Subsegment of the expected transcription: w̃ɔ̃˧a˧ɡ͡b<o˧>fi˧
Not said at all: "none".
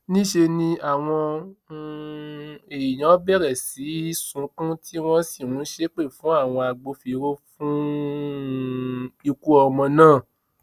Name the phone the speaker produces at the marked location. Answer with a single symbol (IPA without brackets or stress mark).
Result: o˧